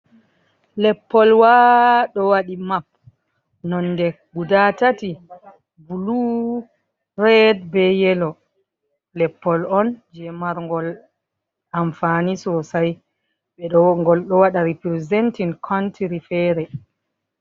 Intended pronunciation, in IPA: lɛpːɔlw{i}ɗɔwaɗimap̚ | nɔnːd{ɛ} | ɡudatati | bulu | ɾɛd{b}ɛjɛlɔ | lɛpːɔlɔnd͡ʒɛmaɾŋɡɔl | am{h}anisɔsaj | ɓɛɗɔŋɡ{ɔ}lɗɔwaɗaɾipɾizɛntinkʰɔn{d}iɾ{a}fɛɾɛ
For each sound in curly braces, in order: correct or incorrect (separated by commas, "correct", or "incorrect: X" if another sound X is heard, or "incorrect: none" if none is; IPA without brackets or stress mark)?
incorrect: a, correct, correct, incorrect: f, correct, incorrect: t, incorrect: i